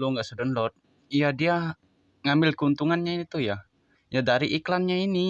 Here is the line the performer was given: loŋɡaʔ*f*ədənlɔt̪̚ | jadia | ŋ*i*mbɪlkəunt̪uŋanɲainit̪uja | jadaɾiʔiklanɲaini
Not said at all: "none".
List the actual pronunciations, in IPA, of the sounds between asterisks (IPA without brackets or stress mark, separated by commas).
s, a